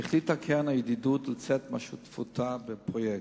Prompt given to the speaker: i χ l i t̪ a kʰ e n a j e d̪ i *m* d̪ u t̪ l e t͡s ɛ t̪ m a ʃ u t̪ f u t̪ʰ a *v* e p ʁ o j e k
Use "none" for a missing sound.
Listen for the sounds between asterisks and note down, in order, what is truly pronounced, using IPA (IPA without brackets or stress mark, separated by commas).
none, b